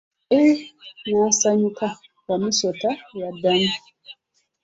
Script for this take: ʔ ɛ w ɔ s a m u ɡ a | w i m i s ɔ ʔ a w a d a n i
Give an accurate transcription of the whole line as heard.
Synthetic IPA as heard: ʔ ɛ w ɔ s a ɲ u k a | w a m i s ɔ t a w a d a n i